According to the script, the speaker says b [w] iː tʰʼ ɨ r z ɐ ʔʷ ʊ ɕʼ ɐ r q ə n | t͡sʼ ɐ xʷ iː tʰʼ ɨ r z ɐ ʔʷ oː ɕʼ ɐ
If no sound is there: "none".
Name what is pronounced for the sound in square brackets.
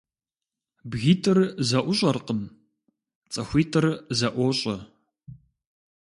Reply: ɣ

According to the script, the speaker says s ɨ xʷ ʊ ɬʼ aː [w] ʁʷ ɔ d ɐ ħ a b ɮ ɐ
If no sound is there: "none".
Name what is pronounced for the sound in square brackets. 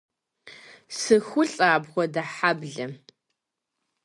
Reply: b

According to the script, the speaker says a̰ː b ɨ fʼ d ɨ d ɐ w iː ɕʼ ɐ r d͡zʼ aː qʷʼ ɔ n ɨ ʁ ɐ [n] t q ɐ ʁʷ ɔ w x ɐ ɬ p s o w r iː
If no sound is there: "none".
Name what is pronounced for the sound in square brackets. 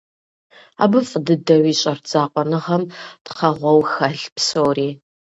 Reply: m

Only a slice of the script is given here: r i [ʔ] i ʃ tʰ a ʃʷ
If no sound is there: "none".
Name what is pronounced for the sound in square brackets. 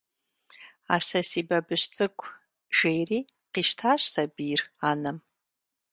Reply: q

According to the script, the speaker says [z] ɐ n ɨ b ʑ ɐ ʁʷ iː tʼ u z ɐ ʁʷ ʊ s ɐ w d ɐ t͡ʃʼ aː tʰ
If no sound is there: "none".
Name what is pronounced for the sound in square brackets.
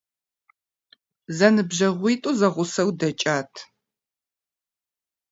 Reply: z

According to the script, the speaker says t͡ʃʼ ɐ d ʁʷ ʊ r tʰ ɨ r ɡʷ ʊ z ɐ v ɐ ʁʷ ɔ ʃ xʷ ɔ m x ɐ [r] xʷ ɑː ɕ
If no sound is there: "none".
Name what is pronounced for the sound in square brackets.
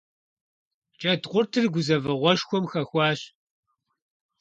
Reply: none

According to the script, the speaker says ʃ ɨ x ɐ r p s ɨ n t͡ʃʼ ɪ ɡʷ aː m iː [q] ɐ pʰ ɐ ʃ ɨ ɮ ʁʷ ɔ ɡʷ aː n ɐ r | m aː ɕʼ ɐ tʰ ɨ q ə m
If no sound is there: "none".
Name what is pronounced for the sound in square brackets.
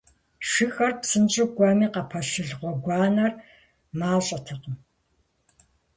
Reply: q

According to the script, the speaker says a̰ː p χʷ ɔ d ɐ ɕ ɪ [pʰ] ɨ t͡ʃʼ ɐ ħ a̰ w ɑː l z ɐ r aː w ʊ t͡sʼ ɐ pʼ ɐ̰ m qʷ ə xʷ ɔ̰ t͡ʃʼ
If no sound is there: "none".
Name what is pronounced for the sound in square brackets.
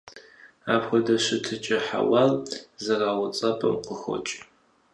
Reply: tʰ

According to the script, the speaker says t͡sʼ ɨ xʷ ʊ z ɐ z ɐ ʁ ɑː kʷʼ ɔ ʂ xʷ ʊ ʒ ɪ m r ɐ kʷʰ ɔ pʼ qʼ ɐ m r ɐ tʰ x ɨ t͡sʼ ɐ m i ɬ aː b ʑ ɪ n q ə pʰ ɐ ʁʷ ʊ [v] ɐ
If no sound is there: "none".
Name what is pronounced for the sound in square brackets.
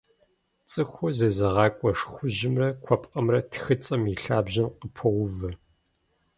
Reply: v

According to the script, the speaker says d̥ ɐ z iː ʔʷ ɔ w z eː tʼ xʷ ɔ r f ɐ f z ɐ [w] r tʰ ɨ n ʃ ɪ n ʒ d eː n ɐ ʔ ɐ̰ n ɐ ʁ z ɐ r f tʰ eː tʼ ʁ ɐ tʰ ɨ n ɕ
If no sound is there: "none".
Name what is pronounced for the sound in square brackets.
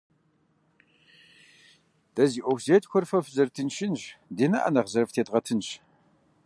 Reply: none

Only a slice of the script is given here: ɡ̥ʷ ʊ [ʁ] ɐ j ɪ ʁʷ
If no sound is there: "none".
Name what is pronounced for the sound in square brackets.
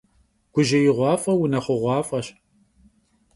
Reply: ʒ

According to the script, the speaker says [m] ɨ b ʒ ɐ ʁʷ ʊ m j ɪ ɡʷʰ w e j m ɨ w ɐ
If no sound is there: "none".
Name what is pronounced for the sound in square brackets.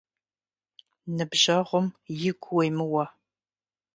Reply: n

